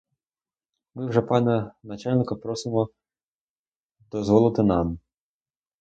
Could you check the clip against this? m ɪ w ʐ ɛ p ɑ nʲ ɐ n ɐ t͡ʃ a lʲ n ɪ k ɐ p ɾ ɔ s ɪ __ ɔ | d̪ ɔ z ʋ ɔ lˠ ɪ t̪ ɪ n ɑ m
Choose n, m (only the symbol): m